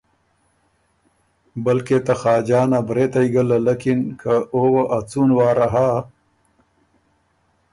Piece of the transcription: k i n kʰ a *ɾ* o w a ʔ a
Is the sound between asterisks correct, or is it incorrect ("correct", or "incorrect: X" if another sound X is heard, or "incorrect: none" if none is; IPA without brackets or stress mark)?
incorrect: none